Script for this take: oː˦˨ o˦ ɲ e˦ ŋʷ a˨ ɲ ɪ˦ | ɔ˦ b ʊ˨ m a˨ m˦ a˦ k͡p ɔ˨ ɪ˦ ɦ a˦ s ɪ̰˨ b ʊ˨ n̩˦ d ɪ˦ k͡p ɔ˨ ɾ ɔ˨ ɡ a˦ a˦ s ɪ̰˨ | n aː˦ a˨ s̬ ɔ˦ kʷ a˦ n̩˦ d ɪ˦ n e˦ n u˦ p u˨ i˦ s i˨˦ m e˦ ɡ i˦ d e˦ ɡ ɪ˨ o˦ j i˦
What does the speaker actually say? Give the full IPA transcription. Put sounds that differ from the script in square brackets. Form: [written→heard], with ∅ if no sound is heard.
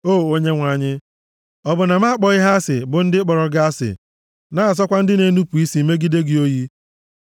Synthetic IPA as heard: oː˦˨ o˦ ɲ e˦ ŋʷ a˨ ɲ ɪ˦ | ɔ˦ b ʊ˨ [m→n] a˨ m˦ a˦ k͡p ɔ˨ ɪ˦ ɦ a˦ s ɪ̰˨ b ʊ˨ n̩˦ d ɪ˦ k͡p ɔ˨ ɾ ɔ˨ ɡ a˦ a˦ s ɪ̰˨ | n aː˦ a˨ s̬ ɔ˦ kʷ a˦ n̩˦ d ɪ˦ n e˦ n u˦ p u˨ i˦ s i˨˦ m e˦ ɡ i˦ d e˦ ɡ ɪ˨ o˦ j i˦